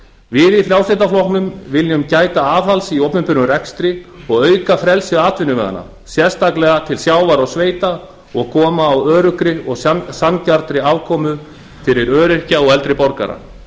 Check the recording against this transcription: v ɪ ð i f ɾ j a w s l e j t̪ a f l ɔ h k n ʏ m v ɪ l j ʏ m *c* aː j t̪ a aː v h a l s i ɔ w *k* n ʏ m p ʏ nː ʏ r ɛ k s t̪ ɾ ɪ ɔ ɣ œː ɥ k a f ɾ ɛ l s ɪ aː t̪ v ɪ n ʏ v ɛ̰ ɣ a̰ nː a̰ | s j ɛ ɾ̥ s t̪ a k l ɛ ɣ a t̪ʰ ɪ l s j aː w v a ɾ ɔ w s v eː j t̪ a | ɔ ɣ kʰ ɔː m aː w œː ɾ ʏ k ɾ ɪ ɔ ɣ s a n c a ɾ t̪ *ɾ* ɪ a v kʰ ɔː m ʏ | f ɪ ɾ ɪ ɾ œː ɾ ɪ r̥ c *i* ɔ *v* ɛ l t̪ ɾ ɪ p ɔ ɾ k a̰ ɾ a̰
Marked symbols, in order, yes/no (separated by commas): yes, no, yes, no, no